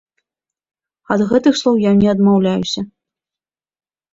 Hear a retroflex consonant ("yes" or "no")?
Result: no